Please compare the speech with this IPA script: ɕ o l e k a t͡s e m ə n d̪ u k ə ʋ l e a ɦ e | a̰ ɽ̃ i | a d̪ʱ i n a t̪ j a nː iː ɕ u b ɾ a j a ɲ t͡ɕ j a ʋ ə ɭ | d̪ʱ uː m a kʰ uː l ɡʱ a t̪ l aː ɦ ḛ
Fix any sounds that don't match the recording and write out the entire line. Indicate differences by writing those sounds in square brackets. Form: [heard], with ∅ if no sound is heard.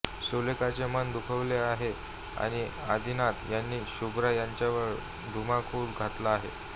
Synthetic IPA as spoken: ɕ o l e k a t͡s e m ə n d̪ u [kʰ] ə ʋ l e a ɦ e | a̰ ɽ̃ i | a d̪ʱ i n a t̪ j a nː iː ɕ u b ɾ a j a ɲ t͡ɕ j a ʋ ə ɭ | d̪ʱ [u] m a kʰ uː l ɡʱ a t̪ l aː ɦ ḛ